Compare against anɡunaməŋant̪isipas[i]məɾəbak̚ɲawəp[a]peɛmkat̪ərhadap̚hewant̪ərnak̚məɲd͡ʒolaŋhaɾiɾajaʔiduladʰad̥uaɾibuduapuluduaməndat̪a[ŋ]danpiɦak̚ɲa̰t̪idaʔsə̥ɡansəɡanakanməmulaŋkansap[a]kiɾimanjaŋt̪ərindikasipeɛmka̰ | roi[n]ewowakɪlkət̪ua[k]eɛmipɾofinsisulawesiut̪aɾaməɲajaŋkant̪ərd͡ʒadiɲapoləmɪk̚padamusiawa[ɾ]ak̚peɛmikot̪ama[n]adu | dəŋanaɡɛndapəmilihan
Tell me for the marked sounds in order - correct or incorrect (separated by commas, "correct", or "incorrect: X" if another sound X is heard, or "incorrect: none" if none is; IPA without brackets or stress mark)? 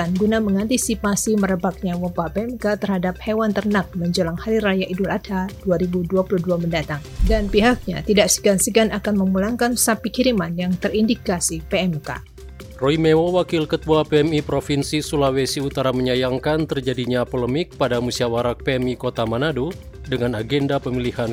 correct, correct, correct, incorrect: i, incorrect: m, incorrect: p, correct, correct